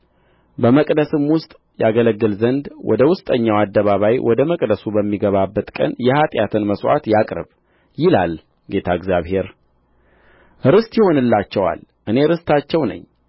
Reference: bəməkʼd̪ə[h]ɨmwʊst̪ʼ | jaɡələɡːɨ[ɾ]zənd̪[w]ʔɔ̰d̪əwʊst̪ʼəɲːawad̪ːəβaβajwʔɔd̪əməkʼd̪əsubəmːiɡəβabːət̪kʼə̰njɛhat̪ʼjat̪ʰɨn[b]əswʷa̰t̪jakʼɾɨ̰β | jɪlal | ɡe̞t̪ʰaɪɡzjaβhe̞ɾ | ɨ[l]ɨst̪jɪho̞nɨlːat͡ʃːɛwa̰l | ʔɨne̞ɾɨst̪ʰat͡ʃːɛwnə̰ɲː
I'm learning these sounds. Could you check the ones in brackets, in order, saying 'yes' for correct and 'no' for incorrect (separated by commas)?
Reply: no, no, yes, no, no